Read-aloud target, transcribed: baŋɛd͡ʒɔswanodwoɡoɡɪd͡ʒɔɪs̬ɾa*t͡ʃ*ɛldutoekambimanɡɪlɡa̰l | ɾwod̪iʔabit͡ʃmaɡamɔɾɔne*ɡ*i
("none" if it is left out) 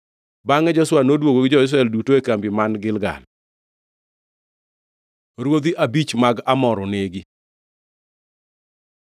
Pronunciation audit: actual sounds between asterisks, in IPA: none, ɡ

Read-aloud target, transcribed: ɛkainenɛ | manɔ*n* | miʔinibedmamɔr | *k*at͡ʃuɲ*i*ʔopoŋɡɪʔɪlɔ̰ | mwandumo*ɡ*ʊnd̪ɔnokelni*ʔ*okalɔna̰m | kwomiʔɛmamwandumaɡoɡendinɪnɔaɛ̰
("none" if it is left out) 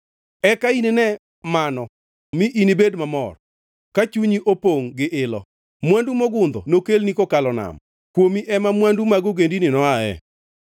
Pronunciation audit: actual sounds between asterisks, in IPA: none, k, i, ɡ, k

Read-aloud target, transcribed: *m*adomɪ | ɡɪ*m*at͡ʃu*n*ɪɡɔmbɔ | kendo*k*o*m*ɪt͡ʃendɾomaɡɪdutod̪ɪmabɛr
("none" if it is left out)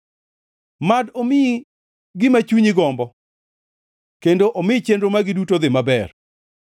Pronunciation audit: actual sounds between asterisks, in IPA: m, m, ɲ, ʔ, m

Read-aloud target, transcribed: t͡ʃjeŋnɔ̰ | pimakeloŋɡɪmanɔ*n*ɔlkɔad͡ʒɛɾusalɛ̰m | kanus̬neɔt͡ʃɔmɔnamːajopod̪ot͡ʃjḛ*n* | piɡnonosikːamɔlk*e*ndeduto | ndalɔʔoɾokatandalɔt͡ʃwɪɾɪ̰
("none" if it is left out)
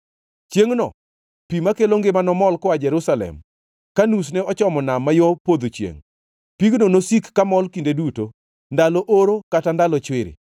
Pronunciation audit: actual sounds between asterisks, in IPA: m, ŋ, i

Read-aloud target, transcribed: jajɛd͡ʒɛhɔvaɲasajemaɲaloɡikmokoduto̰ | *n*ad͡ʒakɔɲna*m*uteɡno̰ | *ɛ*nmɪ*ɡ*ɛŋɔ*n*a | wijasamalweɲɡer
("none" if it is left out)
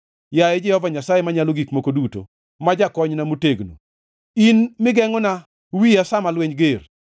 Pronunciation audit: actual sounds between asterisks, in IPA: m, m, i, ɡ, n

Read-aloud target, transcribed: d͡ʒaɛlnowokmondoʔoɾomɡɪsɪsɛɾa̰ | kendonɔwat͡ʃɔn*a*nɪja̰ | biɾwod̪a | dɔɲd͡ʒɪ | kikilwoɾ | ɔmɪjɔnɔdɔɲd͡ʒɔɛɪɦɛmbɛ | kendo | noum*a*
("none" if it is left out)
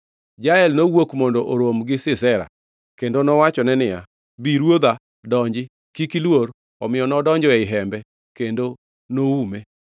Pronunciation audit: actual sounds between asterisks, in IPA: ɛ, e

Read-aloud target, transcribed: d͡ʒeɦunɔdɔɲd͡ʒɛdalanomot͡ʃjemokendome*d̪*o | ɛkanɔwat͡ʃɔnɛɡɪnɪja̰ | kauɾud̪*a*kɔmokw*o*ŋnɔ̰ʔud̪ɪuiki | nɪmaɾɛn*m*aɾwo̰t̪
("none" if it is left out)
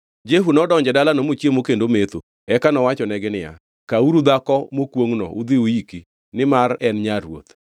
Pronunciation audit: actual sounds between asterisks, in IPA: t̪, a, o, ɲ

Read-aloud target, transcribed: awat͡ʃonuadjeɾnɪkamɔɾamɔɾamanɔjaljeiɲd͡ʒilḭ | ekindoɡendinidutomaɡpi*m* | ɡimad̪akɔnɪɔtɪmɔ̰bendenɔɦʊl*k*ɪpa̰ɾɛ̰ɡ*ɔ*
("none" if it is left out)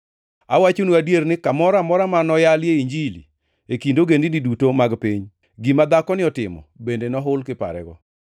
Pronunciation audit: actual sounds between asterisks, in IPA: ɲ, k, ɔ

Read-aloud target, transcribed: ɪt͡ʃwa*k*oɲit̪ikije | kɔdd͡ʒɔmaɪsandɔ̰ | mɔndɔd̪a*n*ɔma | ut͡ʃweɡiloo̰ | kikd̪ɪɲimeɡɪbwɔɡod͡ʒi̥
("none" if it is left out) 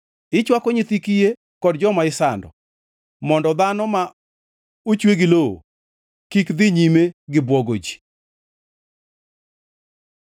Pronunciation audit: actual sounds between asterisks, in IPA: k, n

